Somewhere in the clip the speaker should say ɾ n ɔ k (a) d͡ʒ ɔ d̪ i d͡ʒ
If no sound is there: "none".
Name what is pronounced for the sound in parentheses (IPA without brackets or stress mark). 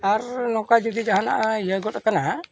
a